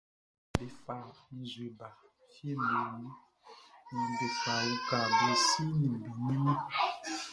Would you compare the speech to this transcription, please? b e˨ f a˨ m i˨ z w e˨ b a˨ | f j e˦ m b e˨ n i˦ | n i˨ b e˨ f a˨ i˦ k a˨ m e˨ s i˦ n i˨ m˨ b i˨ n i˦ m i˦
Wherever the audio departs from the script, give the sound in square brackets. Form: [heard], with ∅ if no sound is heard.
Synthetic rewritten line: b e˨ f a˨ m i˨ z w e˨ b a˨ | f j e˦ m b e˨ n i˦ | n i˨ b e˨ f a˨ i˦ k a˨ [b] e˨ s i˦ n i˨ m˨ b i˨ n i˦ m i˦

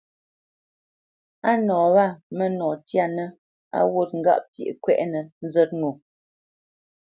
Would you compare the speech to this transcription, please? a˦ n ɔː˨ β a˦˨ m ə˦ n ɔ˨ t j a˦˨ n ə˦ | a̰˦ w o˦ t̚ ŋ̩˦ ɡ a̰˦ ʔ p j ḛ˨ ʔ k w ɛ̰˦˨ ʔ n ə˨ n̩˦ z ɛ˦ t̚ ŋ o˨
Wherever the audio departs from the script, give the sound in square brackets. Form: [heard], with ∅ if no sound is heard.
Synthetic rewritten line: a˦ n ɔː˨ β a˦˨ m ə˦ n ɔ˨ t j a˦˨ n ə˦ | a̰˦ w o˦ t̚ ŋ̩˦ ɡ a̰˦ ʔ p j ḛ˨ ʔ k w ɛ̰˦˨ ʔ n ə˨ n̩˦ z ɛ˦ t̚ ŋ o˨

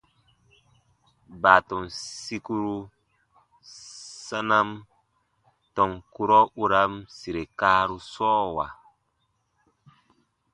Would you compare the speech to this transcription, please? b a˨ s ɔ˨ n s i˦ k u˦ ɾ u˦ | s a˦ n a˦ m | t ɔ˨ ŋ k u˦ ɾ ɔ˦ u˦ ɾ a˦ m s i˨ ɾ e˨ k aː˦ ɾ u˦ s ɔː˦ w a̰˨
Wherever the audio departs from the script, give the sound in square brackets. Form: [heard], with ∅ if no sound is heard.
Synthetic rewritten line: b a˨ [t] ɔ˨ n s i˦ k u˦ ɾ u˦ | s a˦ n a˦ m | t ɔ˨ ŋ k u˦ ɾ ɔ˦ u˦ ɾ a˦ m s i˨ ɾ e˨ k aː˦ ɾ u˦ s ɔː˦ w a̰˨

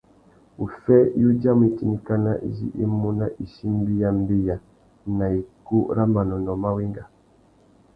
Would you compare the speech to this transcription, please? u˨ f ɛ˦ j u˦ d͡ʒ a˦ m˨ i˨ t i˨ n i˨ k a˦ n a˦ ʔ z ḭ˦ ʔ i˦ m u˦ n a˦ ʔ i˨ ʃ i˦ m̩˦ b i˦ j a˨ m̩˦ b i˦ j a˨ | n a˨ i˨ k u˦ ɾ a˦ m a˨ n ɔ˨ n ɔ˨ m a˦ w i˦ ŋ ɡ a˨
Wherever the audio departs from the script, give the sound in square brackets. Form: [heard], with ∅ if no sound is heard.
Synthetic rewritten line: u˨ f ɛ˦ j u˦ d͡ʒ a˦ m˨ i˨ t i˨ n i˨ k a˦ n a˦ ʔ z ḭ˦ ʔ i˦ m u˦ n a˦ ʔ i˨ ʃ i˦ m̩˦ b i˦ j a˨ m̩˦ b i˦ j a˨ | n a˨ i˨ k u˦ ɾ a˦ m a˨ n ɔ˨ n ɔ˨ m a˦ w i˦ ŋ ɡ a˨

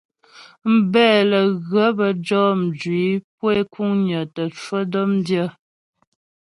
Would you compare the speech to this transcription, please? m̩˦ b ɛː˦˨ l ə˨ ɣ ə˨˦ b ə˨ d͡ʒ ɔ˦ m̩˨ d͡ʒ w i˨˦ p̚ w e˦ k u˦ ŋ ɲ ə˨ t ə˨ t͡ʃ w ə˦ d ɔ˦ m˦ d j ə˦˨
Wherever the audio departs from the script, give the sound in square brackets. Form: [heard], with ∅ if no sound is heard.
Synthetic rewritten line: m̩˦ b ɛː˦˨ l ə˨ ɣ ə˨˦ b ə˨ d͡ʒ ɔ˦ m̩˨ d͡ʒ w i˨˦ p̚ w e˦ k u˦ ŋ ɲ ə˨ t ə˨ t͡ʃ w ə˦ d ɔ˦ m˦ d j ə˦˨

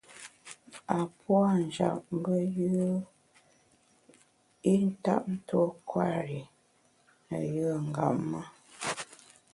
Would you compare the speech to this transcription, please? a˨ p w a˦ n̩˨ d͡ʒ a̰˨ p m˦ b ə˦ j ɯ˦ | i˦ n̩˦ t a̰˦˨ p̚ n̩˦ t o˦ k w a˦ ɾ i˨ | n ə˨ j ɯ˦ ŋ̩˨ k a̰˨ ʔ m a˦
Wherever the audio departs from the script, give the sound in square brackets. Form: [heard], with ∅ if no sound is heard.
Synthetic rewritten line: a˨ p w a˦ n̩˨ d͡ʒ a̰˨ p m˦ b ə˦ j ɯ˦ | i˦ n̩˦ t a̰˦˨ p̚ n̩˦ t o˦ k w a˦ ɾ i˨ | n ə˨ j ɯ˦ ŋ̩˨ [ɡ] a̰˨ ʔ m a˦

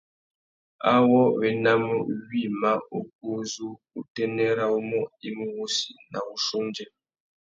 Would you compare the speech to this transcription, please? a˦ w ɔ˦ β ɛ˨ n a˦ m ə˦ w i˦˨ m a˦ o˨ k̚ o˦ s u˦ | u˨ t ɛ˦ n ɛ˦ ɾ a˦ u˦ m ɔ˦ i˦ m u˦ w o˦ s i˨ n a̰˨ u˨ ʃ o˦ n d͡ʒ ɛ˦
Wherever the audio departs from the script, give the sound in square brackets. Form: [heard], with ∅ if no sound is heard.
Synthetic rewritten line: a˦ w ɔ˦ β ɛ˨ n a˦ m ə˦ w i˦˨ m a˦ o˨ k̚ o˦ [z] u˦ | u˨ t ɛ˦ n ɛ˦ ɾ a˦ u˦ m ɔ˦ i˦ m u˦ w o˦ s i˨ n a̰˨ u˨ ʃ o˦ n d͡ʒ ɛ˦

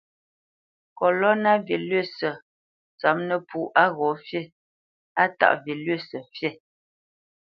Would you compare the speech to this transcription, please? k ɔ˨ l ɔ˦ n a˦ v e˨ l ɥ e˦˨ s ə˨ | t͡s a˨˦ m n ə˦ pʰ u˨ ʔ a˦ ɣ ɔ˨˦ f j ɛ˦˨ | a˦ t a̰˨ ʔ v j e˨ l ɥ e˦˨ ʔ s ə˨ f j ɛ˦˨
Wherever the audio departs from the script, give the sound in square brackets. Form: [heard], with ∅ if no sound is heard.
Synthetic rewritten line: k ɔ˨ l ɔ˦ n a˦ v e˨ l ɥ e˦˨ s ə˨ | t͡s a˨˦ m n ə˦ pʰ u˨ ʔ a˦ ɣ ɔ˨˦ f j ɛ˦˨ | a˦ t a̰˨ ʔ v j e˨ l ɥ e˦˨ [∅] s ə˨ f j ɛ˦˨

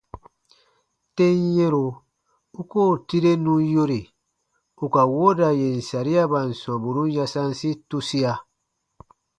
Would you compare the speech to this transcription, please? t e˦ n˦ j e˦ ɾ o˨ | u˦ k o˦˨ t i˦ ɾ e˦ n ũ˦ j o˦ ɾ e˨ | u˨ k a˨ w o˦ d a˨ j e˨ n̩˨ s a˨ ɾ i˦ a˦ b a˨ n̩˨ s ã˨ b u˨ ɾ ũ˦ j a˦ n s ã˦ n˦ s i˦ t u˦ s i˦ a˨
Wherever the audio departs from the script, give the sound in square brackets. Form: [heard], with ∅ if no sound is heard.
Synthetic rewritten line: t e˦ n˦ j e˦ ɾ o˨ | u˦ k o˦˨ t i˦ ɾ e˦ n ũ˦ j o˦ ɾ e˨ | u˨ k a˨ w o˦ d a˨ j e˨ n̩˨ s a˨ ɾ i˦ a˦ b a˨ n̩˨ s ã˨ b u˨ ɾ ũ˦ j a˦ [∅] s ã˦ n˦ s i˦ t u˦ s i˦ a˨

